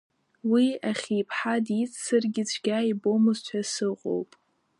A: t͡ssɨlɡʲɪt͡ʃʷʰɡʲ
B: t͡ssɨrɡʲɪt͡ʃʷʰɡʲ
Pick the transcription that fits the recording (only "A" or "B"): B